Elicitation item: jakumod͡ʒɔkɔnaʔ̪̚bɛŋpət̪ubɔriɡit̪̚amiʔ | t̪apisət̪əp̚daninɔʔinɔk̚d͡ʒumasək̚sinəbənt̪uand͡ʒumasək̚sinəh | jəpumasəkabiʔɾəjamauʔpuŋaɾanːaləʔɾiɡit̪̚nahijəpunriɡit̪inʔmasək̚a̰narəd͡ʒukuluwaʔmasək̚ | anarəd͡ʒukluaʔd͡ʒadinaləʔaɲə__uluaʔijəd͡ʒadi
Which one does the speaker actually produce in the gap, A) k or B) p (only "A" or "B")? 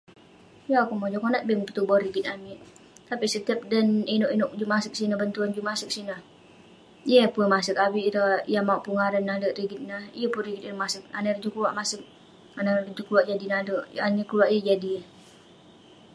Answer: A